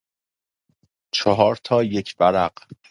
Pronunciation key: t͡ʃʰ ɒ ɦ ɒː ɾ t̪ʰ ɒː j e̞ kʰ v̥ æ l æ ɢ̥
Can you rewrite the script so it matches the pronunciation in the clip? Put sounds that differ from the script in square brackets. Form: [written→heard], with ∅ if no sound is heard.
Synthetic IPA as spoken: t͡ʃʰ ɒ ɦ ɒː ɾ t̪ʰ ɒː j e̞ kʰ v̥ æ [l→ɾ] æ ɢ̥